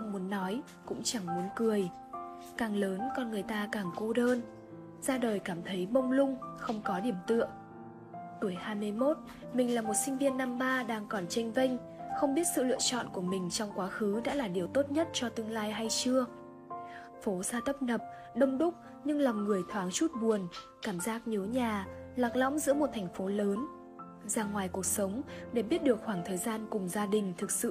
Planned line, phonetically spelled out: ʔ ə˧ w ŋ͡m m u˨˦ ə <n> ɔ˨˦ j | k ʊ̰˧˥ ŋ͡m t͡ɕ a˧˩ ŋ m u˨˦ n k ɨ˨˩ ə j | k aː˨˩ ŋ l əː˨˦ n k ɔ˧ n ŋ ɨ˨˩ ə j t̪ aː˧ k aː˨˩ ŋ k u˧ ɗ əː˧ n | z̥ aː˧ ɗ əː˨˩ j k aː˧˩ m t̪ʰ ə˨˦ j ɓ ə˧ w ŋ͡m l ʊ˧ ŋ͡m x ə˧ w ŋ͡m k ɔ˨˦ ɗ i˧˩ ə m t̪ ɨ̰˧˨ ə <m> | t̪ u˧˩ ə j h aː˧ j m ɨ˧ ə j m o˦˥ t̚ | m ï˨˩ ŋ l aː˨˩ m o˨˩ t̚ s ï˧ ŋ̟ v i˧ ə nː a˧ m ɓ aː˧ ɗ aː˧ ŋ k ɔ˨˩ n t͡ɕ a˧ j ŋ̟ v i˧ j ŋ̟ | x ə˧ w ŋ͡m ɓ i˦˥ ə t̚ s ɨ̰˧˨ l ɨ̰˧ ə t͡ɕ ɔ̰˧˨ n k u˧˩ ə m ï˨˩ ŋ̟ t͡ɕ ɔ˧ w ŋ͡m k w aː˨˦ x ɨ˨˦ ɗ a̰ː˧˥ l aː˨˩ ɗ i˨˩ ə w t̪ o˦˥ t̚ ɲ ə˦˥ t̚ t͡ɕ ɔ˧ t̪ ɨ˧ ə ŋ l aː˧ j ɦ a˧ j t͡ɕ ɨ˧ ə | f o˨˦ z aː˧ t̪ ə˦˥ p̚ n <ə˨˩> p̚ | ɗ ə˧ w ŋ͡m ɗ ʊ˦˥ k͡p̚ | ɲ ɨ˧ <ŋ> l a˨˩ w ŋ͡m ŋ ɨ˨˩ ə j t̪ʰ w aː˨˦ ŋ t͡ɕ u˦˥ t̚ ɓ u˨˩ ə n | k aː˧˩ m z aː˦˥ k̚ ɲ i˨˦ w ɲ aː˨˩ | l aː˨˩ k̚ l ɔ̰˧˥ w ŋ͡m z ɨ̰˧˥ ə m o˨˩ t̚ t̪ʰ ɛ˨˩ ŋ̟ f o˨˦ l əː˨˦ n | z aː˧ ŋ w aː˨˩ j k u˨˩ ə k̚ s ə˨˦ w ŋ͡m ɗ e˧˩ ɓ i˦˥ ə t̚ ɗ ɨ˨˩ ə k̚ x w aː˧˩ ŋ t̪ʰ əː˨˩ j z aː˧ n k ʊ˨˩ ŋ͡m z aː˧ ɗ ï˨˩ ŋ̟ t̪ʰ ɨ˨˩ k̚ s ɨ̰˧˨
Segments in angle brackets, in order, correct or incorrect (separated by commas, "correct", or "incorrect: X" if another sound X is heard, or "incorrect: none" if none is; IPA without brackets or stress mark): incorrect: nː, incorrect: ŋ, correct, correct